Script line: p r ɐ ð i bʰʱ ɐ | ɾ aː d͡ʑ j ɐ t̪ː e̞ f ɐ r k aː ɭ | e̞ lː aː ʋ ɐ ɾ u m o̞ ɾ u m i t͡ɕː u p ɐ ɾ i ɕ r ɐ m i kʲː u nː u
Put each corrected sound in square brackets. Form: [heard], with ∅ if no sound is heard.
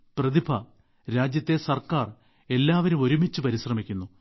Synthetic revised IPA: p r ɐ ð i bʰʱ ɐ | ɾ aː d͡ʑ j ɐ t̪ː e̞ [s] ɐ r k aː [r] | e̞ lː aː ʋ ɐ ɾ u m o̞ ɾ u m i t͡ɕː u p ɐ ɾ i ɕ r ɐ m i kʲː u nː u